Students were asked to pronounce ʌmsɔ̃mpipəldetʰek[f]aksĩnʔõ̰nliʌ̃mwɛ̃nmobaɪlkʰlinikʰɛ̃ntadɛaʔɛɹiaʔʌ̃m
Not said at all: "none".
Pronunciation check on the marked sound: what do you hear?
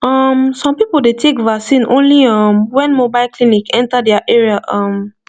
v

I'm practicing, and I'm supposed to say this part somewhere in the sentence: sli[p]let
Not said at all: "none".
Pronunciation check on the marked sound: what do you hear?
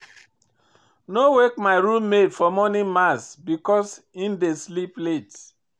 p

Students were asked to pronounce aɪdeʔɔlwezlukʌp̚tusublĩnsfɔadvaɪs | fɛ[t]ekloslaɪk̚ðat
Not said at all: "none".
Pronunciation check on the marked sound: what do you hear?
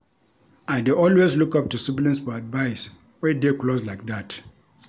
d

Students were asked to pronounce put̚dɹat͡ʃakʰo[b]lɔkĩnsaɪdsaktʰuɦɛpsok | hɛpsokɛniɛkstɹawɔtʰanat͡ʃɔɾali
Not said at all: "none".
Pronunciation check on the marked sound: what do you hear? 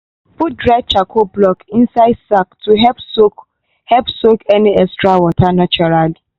b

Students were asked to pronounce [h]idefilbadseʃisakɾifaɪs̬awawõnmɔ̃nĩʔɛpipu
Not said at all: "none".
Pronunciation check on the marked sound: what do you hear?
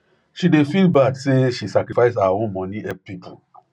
ʃ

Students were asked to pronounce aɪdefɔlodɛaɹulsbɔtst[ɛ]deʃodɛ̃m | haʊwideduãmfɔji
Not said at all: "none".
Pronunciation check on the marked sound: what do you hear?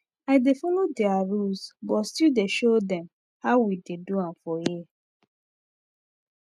i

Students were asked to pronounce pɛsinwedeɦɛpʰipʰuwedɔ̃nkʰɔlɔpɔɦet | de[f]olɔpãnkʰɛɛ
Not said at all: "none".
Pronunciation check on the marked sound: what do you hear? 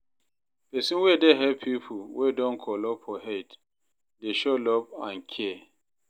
ʃ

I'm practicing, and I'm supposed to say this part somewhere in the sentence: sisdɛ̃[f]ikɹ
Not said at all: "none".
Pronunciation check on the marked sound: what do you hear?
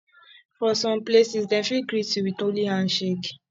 f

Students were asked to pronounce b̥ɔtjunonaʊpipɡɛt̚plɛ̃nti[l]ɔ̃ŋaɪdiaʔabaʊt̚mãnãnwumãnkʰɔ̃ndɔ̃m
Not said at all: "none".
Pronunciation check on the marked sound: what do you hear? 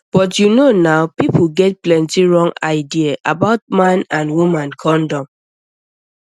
ɹ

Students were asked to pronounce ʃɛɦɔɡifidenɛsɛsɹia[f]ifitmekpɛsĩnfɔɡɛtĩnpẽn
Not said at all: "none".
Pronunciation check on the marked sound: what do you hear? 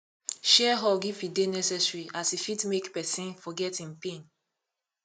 s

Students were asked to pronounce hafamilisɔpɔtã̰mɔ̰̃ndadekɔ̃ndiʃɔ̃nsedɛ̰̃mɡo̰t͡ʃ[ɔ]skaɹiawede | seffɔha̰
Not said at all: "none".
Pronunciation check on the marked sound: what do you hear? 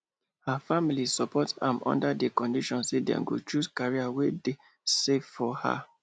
u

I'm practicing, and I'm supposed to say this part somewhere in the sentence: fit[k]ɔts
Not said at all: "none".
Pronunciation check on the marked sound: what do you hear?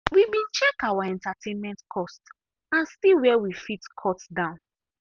kʰ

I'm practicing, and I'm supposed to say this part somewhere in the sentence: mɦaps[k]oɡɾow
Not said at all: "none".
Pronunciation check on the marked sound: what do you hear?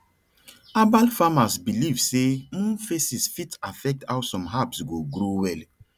ɡ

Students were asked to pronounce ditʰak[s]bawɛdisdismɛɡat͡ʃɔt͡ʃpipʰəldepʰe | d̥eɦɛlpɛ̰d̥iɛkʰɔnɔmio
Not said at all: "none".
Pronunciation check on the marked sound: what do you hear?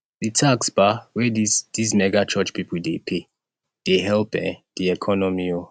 s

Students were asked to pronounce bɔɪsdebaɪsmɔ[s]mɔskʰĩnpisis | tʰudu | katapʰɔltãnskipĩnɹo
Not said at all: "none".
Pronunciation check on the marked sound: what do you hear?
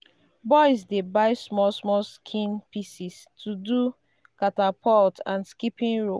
s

